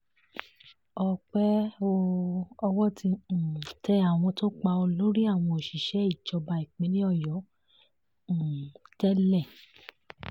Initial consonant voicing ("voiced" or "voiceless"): voiceless